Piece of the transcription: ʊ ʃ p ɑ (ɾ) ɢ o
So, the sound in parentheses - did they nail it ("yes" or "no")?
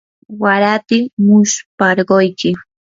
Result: yes